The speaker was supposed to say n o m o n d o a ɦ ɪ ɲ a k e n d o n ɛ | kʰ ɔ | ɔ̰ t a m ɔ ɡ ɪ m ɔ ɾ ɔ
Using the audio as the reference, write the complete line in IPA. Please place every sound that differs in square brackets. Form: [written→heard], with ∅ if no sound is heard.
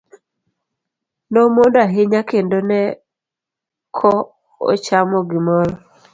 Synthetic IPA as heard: n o m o n d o a ɦ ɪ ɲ a k e n d o n ɛ | kʰ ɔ | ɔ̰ [t→t͡ʃ] a m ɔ ɡ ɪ m ɔ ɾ ɔ